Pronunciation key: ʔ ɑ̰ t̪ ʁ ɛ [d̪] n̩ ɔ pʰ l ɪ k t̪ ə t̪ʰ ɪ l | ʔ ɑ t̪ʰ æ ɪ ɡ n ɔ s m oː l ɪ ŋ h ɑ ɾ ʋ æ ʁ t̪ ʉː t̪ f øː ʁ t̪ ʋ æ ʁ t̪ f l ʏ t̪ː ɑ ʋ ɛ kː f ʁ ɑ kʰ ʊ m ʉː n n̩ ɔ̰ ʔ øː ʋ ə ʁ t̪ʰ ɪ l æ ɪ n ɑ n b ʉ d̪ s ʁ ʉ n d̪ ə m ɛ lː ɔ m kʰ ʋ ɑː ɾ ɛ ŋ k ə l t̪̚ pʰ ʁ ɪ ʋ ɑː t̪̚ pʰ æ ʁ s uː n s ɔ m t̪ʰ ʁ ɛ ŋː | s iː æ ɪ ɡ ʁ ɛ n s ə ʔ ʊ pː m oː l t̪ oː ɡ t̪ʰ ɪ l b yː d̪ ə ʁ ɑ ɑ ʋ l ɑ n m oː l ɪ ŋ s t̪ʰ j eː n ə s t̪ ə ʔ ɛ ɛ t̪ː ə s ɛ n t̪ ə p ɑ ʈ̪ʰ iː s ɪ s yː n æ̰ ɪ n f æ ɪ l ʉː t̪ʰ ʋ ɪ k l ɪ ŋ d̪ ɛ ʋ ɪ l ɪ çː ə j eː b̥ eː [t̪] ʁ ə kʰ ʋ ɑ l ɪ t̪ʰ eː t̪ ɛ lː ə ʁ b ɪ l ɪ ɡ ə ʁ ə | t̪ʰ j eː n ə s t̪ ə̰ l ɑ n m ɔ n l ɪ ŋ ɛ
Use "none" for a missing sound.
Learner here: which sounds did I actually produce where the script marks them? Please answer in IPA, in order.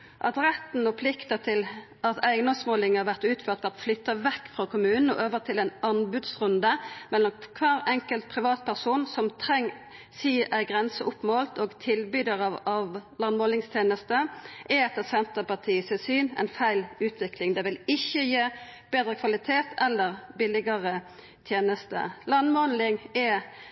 t̪, d̪

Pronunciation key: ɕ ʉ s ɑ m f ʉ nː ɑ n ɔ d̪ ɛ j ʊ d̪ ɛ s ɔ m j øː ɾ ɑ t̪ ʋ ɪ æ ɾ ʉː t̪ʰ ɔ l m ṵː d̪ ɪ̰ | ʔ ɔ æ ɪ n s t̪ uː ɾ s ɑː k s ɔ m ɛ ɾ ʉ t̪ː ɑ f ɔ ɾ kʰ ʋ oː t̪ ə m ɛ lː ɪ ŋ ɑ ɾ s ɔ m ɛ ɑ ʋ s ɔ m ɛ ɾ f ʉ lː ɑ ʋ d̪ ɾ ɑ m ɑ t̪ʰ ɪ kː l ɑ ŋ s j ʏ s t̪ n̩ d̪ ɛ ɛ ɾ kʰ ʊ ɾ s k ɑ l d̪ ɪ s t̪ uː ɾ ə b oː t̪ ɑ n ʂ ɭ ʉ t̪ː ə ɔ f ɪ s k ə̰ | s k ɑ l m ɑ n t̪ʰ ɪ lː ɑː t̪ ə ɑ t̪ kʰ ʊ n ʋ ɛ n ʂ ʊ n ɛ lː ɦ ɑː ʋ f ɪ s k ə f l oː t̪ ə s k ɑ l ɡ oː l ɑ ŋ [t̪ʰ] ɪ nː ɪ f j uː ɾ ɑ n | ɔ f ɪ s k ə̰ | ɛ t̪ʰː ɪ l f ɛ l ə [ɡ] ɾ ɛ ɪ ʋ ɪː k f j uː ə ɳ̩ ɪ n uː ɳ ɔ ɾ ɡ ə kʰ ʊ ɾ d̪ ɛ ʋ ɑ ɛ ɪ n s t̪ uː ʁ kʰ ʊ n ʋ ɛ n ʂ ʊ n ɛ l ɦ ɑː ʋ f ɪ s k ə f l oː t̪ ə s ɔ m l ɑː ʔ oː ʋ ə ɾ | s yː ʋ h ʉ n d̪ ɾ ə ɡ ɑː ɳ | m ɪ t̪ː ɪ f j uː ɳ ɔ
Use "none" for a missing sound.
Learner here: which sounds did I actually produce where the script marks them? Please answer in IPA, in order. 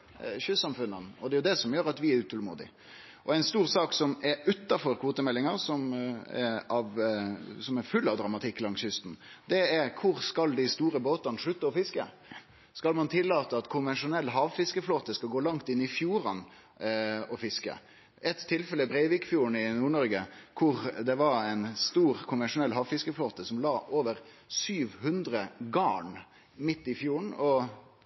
t̪, b

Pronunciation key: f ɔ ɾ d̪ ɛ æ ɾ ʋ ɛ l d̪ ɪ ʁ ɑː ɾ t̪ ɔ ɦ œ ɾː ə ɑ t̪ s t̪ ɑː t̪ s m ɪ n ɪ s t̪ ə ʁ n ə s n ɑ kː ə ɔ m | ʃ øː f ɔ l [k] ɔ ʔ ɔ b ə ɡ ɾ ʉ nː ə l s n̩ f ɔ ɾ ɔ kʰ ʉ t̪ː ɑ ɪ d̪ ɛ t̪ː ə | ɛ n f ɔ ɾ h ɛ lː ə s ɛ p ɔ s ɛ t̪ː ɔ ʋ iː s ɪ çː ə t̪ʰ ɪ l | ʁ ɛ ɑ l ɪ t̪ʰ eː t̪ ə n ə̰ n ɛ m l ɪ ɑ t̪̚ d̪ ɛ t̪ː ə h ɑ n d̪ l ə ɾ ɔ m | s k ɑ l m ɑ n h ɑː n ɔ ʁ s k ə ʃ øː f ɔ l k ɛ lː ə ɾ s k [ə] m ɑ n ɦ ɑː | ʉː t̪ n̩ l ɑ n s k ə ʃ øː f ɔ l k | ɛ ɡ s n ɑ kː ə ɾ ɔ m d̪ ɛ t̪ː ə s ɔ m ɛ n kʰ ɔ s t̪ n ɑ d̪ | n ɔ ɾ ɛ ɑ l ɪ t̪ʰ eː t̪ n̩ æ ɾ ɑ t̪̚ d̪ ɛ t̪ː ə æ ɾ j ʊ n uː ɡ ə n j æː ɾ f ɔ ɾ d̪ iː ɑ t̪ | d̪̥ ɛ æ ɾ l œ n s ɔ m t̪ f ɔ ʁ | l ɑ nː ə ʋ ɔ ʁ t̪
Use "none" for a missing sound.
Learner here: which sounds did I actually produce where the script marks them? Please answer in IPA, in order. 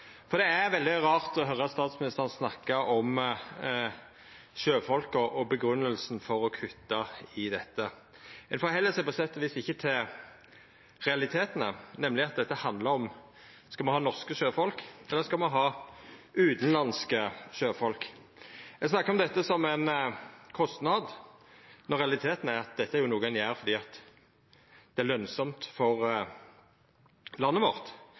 k, ɑ

